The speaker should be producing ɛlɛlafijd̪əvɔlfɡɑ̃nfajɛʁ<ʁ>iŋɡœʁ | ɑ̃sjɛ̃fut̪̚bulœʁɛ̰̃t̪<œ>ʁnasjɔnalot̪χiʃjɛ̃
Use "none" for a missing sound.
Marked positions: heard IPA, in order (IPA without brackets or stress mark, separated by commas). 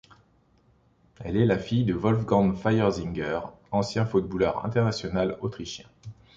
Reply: z, ɛ